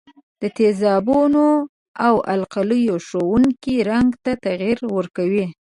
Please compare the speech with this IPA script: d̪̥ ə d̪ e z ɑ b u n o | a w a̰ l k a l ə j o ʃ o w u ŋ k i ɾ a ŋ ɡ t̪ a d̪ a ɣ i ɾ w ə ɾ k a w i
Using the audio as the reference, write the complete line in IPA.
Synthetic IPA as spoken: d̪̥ ə t̪ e z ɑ b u n o | a w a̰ l q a l ə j o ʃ o w u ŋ k i ɾ a ŋ ɡ t̪ a t̪ a ɣ i ɾ w ə ɾ k a w i